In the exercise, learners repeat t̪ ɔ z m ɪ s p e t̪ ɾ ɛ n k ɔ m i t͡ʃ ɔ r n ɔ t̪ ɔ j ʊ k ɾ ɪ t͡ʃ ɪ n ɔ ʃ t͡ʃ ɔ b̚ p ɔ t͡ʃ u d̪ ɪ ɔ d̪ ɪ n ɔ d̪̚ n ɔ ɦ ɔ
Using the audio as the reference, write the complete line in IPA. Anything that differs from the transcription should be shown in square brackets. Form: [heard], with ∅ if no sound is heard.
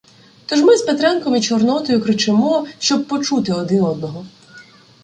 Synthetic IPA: t̪ ɔ [ʒ] m ɪ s p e t̪ ɾ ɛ n k ɔ m i t͡ʃ ɔ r n ɔ t̪ ɔ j ʊ k ɾ ɪ t͡ʃ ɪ [m] ɔ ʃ t͡ʃ ɔ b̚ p ɔ t͡ʃ u [t̪] ɪ ɔ d̪ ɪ n ɔ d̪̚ n ɔ ɦ ɔ